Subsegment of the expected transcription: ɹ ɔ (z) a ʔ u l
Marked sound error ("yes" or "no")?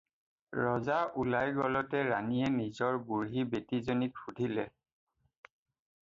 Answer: no